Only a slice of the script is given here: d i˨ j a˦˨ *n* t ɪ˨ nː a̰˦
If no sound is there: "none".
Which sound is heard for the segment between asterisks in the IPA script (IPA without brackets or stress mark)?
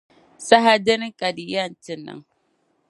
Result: n